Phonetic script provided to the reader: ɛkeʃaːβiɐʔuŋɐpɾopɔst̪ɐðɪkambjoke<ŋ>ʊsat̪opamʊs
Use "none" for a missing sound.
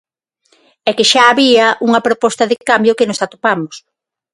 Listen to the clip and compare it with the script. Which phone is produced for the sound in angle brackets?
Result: n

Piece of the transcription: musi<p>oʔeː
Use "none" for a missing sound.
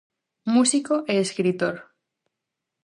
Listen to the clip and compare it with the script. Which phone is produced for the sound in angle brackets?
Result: k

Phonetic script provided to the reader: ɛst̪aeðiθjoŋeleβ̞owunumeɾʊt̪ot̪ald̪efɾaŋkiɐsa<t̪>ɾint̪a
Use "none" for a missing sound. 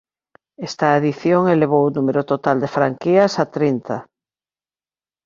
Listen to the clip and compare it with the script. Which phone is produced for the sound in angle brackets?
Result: t̪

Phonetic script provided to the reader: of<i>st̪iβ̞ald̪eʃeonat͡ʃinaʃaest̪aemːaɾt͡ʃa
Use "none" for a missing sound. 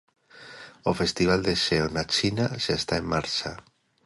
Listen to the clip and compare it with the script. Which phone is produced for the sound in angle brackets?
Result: e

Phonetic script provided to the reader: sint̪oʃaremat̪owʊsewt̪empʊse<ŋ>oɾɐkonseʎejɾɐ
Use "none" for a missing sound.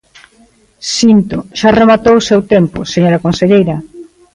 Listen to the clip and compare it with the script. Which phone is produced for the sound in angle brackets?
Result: ɲ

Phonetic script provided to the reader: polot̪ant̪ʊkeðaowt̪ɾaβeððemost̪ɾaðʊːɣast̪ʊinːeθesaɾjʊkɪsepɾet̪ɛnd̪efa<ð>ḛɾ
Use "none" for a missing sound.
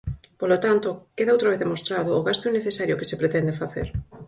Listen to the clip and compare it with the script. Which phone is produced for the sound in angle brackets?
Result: θ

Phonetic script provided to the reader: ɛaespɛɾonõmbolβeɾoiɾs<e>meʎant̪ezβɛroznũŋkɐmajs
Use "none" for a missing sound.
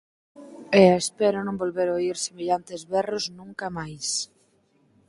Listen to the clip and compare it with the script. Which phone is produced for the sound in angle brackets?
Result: e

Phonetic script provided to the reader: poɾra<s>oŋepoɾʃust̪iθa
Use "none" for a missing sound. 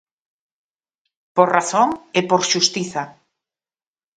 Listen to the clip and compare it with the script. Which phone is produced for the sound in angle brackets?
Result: θ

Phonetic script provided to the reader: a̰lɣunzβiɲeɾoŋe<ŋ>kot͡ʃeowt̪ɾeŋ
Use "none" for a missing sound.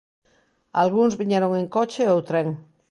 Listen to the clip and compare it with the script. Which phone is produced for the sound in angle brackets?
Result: ŋ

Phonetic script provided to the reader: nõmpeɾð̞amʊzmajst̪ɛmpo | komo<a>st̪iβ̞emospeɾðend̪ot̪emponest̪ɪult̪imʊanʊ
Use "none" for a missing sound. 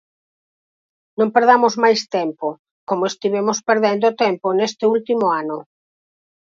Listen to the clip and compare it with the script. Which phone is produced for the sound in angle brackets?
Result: e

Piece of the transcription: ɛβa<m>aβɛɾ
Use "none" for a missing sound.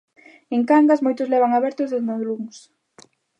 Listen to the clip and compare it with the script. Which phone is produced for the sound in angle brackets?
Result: ŋ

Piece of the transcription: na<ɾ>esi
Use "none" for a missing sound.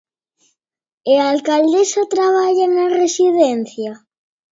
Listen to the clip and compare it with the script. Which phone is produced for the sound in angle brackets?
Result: r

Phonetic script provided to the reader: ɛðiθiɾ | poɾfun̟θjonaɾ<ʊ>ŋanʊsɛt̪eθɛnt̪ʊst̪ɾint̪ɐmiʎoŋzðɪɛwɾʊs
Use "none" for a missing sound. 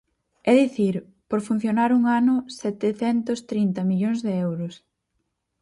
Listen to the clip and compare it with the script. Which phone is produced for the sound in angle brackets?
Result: u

